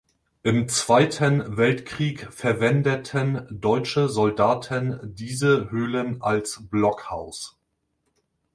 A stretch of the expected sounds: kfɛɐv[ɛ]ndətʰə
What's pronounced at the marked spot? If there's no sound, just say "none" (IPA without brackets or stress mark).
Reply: ɛ